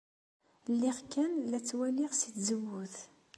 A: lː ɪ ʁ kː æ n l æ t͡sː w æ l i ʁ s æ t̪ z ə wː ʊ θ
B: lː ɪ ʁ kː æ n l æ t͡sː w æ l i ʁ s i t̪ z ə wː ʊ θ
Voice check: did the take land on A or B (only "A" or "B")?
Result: B